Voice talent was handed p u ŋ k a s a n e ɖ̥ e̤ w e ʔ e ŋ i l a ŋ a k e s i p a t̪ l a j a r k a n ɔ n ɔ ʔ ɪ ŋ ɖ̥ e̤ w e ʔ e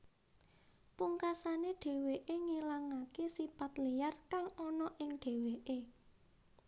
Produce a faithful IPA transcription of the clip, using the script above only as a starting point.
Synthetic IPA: p u ŋ k a s a n e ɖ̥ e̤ w e ʔ e ŋ i l a ŋ a k e s i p a t̪ l i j a r k a ŋ ɔ n ɔ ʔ ɪ ŋ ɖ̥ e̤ w e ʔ e